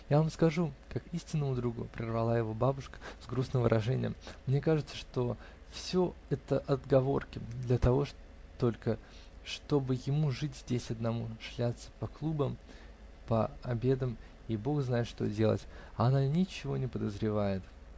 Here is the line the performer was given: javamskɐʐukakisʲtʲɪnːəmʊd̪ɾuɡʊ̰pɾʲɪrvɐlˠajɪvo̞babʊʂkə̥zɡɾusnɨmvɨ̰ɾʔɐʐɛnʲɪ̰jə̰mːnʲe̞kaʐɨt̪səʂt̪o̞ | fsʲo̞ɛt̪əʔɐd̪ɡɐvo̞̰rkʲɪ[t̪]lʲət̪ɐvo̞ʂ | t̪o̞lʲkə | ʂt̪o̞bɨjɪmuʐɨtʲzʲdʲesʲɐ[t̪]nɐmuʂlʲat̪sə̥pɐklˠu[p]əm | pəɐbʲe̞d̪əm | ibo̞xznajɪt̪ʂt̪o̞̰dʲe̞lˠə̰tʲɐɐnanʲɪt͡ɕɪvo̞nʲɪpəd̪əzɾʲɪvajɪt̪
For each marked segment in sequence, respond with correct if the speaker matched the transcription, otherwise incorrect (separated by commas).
incorrect, incorrect, incorrect